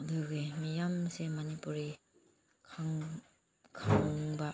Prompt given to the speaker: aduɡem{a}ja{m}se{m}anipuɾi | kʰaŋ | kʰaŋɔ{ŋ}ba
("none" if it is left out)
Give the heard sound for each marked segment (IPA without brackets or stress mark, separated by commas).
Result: i, m, m, ŋ